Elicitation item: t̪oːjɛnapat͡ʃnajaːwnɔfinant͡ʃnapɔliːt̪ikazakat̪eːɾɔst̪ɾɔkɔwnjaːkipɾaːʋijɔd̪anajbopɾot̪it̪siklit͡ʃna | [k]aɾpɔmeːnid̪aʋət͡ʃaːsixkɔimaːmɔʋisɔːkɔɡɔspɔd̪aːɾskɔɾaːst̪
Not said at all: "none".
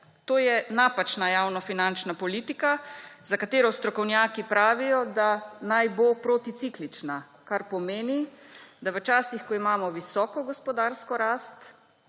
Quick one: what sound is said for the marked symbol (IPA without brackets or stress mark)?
k